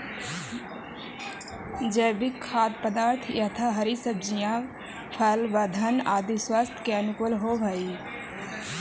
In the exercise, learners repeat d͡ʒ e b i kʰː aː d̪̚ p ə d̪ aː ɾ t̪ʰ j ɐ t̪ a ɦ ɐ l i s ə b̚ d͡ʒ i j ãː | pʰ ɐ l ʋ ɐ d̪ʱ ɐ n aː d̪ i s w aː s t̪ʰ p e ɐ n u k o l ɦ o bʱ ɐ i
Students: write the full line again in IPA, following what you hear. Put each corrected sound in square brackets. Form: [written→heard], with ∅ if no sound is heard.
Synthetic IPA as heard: d͡ʒ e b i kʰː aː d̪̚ p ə d̪ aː ɾ t̪ʰ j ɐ [t̪→t̪ʰ] a ɦ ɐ [l→ɾ] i s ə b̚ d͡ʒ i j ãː | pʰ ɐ l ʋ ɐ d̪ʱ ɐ n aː d̪ i s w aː s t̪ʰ [p→k] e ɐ n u k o l ɦ o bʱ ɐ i